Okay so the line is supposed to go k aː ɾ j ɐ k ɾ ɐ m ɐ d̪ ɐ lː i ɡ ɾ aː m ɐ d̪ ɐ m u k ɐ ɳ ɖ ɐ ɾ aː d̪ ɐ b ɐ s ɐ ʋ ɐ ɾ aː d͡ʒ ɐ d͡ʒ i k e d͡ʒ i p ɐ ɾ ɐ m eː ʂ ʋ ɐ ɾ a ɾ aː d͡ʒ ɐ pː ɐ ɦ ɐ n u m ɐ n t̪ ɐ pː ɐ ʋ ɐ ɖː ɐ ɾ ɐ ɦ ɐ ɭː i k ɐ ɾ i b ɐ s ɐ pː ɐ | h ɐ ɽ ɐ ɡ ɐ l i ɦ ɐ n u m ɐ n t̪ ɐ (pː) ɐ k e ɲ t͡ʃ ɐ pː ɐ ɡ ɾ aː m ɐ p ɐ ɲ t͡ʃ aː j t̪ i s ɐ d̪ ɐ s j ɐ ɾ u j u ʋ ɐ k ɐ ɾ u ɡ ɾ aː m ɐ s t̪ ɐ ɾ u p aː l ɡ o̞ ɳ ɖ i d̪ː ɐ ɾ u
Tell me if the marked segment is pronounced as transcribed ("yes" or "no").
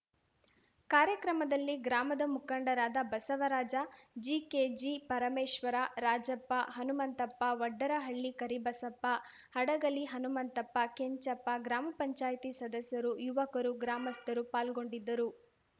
yes